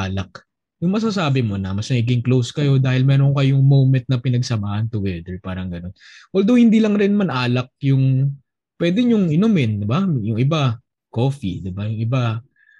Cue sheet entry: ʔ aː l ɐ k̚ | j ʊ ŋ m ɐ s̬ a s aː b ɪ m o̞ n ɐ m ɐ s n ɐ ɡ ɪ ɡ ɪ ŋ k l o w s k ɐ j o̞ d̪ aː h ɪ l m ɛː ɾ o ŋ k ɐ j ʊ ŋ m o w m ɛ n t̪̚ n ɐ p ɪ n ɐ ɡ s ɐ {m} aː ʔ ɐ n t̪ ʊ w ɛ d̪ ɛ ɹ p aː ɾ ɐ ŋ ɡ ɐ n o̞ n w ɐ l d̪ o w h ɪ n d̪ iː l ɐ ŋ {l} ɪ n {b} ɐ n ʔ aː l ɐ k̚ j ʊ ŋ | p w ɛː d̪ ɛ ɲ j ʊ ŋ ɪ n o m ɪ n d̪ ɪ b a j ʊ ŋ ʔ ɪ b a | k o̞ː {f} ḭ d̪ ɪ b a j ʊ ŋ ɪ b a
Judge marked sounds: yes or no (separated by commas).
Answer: yes, no, no, yes